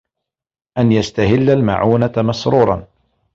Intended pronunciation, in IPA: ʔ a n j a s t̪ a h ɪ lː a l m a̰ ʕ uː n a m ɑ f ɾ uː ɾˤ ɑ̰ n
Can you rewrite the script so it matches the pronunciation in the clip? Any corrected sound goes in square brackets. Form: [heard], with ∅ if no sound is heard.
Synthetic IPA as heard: ʔ a n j a s t̪ a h ɪ lː a l m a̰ ʕ uː n a m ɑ [s] ɾ uː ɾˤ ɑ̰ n